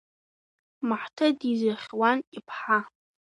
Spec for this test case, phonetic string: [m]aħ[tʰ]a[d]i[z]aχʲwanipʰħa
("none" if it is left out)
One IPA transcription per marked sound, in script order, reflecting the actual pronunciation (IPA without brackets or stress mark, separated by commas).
m, tʰ, d, z